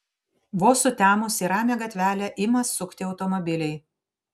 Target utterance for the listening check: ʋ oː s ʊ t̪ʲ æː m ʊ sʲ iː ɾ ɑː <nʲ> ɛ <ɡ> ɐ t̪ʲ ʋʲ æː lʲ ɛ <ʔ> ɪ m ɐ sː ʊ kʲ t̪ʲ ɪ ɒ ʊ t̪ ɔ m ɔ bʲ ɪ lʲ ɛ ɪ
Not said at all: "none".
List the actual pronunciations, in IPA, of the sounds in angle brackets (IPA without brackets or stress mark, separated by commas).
mʲ, ɡ, ʔ